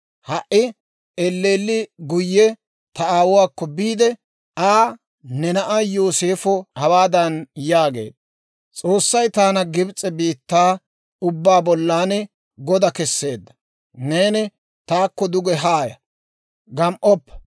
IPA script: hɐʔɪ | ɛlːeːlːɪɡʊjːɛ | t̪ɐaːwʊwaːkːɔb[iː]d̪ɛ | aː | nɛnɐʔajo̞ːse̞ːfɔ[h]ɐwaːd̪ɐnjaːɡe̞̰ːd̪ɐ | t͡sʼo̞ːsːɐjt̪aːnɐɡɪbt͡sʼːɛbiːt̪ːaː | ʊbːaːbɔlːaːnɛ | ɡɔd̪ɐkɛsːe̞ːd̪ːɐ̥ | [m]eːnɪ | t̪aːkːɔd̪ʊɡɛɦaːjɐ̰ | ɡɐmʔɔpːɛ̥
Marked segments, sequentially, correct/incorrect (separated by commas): correct, correct, incorrect